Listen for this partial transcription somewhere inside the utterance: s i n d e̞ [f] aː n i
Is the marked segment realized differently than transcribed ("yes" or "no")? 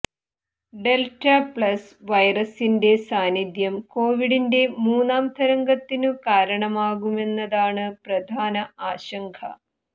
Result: yes